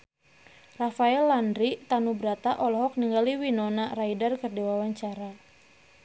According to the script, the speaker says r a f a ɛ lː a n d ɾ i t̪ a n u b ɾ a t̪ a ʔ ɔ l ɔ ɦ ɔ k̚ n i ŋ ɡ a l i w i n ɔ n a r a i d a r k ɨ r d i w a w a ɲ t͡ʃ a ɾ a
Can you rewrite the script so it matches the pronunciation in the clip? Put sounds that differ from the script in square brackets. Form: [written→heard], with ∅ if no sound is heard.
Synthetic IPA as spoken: r a f a ɛ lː a n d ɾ i t̪ a n u b ɾ a t̪ a ʔ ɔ l ɔ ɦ ɔ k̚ n i ŋ ɡ a l i w i n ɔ n a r a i d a r k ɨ r d i w a w a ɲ t͡ʃ a ɾ a